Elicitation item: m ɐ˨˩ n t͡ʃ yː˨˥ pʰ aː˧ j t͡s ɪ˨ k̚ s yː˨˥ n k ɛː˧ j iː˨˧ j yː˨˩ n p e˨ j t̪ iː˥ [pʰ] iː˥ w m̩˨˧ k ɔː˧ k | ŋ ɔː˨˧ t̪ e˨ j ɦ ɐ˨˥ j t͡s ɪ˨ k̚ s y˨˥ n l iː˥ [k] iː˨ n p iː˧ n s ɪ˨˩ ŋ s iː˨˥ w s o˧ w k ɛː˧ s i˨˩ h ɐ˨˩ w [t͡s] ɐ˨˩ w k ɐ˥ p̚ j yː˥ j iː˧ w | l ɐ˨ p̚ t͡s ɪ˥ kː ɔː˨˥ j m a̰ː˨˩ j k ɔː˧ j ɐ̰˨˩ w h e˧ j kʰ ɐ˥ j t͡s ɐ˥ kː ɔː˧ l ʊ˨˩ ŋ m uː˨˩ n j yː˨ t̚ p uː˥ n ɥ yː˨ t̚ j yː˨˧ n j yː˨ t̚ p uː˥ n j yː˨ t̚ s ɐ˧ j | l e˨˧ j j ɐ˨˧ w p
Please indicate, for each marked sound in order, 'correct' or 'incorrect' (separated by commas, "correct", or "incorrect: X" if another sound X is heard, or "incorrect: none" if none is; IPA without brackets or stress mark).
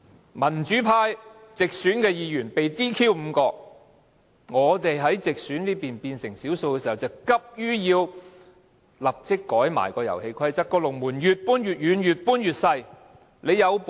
incorrect: kʰ, incorrect: p, correct